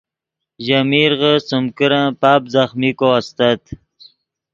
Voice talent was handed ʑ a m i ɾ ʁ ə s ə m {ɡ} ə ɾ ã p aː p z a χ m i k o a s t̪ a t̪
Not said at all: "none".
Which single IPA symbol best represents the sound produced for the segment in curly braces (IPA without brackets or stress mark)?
k